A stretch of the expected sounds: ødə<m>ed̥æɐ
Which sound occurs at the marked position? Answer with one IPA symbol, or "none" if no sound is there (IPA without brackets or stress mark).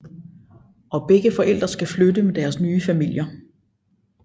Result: m